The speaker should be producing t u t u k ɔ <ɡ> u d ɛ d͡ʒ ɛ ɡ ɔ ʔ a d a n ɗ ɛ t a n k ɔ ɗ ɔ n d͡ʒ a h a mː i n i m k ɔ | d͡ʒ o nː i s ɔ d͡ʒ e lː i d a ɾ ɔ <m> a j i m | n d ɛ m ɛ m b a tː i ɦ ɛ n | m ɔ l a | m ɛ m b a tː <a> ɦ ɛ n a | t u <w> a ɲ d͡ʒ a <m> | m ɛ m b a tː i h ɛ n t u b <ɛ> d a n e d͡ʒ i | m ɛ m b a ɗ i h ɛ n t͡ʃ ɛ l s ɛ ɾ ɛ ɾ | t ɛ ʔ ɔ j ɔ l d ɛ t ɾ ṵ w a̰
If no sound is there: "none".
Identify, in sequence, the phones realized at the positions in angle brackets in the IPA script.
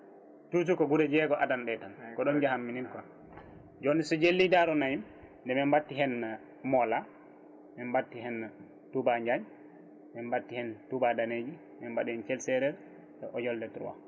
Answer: ɡ, n, i, b, ɲ, a

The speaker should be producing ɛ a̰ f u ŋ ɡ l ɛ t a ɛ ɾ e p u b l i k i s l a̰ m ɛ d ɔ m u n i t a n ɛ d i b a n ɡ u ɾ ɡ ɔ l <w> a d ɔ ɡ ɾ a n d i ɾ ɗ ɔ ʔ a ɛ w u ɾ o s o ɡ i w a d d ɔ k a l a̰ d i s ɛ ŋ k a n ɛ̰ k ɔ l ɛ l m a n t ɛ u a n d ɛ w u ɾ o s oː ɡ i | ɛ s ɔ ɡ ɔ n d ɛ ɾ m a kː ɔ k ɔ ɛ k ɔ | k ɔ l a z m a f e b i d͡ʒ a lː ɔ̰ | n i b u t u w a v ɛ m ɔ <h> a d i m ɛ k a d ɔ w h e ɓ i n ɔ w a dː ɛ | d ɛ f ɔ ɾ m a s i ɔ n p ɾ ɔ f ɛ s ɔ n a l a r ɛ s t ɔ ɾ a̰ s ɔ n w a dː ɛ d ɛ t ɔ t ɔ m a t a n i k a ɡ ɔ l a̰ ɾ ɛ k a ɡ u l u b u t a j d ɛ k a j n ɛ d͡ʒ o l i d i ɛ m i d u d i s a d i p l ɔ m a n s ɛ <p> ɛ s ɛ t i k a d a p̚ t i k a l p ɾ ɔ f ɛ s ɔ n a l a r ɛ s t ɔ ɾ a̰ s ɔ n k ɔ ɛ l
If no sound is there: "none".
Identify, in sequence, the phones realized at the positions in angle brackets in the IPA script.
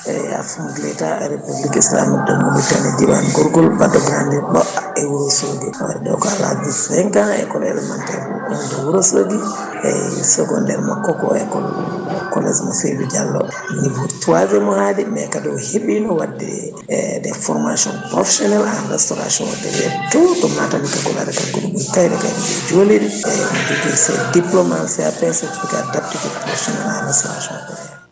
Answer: b, h, p

